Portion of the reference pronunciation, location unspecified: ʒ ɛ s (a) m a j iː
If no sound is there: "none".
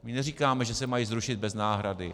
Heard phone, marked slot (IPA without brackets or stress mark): ɛ